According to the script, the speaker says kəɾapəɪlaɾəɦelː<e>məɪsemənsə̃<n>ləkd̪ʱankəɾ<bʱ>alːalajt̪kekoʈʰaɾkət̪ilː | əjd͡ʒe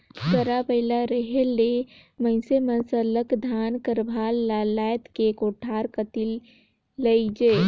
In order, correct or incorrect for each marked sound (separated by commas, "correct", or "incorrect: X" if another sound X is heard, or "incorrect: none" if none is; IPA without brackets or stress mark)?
correct, incorrect: none, correct